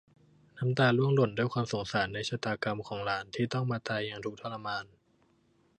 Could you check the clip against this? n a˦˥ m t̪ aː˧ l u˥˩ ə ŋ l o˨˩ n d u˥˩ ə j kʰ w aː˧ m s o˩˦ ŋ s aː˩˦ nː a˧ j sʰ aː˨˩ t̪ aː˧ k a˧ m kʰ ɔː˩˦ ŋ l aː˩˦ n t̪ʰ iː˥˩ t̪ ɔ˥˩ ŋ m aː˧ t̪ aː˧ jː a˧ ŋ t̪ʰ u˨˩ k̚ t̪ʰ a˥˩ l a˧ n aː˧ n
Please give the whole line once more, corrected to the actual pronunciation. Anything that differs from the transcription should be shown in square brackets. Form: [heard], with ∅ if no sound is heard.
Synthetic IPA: n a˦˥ m t̪ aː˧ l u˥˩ ə ŋ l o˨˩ n d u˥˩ ə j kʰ w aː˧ m s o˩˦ ŋ s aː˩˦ nː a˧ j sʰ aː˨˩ t̪ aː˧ k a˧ m kʰ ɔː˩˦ ŋ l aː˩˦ n t̪ʰ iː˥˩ t̪ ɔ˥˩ ŋ m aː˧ t̪ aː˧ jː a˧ ŋ t̪ʰ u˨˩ k̚ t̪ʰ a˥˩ l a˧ [m] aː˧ n